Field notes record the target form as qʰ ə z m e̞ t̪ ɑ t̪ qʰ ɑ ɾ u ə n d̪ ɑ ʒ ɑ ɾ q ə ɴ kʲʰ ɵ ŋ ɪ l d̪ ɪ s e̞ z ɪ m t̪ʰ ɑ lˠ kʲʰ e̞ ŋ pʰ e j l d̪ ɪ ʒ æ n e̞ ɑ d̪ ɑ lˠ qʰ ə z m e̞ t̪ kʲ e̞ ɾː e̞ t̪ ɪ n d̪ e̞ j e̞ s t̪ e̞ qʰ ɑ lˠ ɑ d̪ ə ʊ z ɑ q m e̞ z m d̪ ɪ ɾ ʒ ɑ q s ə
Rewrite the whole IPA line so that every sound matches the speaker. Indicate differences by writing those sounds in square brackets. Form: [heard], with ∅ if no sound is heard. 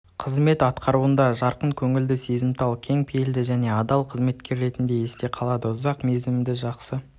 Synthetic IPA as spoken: qʰ ə z m e̞ t̪ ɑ t̪ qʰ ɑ ɾ u ə n d̪ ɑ ʒ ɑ ɾ q ə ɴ kʲʰ ɵ ŋ ɪ l d̪ ɪ s e̞ z ɪ m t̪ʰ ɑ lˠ kʲʰ e̞ ŋ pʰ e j l d̪ ɪ ʒ æ n e̞ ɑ d̪ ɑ lˠ qʰ ə z m e̞ t̪ kʲ e̞ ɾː e̞ t̪ ɪ n d̪ e̞ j e̞ s t̪ e̞ qʰ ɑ lˠ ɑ d̪ ə ʊ z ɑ q m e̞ z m d̪ ɪ [∅] ʒ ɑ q s ə